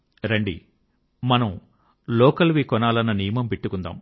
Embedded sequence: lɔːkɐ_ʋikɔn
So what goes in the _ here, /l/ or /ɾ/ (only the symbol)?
l